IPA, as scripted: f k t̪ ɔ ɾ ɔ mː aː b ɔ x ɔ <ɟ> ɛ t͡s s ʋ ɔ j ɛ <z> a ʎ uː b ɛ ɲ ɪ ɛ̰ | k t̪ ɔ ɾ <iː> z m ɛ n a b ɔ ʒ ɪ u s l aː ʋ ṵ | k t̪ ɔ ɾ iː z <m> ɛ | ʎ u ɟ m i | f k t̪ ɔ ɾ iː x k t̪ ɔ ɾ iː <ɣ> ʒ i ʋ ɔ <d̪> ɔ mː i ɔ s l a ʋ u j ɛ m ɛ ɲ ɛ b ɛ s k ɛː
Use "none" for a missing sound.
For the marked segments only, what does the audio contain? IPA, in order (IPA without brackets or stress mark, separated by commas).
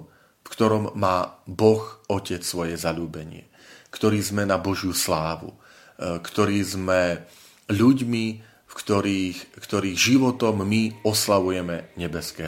c, z, iː, m, ɣ, t̪